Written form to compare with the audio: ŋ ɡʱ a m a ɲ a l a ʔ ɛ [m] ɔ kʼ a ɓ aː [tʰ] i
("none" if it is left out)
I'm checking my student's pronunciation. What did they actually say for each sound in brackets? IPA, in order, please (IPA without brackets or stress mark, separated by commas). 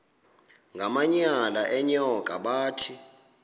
ɲ, tʰ